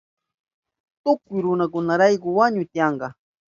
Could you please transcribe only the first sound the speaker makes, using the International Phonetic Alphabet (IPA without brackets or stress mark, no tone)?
t̪